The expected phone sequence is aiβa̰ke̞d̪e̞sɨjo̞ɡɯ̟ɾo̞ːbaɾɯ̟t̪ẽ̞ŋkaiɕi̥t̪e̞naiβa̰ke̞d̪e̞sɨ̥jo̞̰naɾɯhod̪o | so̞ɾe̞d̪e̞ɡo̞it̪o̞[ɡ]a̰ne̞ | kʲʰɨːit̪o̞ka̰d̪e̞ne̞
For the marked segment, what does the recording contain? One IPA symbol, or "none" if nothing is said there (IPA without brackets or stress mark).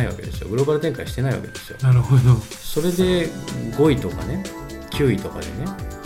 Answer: k